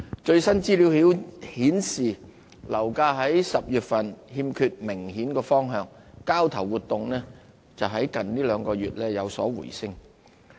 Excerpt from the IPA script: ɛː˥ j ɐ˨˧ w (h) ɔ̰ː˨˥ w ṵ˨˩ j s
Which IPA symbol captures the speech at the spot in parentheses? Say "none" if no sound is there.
s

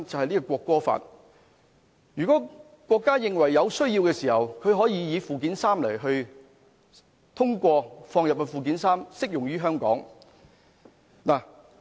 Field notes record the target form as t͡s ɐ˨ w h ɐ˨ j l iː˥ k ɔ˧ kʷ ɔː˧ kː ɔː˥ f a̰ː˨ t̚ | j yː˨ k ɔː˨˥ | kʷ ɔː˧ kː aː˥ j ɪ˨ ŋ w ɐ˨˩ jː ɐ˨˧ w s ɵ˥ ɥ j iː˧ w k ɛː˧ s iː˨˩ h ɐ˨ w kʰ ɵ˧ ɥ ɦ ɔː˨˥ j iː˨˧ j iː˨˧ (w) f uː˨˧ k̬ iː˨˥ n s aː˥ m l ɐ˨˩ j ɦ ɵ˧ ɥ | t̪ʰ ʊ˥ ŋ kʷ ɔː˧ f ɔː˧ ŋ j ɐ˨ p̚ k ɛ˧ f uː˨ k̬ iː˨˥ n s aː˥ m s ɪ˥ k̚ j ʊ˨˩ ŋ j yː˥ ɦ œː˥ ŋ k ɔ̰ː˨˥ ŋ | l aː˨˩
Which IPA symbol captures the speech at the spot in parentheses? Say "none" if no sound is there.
none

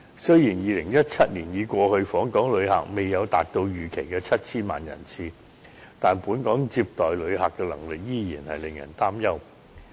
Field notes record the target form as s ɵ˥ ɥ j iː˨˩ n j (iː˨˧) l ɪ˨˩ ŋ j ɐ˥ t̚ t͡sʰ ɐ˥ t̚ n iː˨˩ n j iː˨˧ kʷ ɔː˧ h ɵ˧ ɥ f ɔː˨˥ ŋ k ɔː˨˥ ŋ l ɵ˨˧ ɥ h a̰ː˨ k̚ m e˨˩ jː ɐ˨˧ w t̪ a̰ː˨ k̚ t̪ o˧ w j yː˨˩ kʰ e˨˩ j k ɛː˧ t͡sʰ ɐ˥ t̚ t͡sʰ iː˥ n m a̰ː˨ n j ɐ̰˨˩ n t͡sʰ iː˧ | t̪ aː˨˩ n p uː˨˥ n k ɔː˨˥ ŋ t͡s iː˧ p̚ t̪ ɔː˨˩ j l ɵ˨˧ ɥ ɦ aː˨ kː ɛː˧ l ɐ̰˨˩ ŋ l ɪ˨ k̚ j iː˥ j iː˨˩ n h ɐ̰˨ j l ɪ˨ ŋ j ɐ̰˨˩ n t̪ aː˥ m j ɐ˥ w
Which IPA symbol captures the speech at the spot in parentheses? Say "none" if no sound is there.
iː˨˧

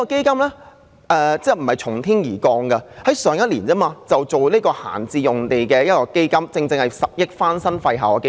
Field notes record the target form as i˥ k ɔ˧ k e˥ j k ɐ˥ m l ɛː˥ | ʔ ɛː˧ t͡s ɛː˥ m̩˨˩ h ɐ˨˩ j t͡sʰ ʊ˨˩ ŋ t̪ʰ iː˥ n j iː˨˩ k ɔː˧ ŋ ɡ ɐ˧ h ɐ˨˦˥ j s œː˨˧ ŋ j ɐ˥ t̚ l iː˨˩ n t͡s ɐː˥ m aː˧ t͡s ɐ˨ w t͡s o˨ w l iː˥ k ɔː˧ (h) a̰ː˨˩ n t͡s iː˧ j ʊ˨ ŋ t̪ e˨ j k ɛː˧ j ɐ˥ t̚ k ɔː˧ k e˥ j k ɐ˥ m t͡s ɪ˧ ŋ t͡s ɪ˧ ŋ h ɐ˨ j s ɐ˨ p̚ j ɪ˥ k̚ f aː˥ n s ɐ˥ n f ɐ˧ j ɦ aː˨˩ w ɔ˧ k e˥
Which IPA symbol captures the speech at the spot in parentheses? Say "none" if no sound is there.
h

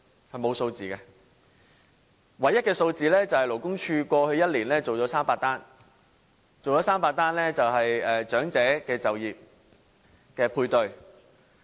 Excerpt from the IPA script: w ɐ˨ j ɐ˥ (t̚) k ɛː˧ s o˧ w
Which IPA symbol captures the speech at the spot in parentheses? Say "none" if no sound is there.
t̚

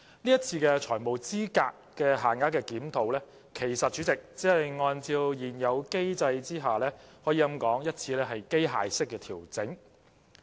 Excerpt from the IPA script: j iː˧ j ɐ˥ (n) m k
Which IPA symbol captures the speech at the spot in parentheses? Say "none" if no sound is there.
none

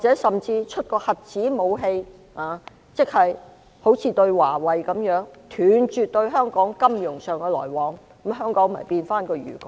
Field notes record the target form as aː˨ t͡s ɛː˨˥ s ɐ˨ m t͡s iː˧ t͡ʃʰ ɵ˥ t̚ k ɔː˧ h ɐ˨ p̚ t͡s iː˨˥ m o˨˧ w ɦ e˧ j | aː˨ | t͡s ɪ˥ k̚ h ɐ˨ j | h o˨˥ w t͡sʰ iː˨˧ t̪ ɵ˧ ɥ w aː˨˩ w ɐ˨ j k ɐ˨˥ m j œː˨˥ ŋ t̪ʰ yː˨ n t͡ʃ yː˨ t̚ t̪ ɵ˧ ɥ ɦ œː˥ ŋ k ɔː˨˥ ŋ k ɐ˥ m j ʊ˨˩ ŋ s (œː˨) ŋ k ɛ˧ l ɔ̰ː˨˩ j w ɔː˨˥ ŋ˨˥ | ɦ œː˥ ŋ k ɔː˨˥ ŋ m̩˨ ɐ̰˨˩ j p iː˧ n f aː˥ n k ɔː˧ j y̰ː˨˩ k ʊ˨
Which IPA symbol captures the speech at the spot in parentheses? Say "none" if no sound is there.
œː˨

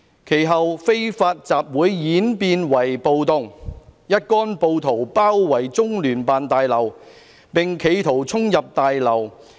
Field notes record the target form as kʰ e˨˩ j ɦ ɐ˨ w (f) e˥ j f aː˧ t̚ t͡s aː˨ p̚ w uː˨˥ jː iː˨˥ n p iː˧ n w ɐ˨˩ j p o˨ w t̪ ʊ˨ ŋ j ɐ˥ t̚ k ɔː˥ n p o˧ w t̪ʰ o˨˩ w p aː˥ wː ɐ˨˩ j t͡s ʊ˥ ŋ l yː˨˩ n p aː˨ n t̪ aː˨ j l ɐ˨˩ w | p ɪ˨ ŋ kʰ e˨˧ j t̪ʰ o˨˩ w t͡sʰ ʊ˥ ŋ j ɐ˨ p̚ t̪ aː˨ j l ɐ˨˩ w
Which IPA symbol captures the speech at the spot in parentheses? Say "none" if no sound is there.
f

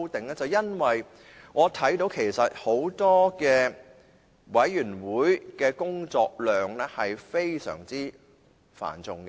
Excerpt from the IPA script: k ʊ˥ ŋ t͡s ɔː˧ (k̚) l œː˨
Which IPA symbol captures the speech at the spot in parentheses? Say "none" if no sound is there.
k̚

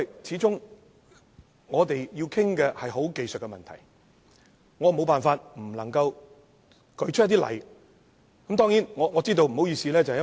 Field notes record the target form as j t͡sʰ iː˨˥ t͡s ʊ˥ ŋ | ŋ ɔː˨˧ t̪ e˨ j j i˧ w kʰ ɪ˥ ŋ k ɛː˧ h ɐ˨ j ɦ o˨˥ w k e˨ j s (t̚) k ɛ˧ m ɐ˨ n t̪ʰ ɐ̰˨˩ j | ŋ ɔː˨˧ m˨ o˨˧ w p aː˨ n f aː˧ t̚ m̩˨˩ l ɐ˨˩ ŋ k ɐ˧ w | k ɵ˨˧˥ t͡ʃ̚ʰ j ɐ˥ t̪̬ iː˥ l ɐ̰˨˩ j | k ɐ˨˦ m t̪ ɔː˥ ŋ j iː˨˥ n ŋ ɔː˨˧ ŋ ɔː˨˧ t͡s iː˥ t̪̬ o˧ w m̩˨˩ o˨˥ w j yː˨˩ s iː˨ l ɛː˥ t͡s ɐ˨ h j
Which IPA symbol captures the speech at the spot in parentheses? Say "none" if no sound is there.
t̚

